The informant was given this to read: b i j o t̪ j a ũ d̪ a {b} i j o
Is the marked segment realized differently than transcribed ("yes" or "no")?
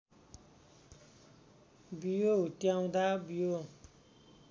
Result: no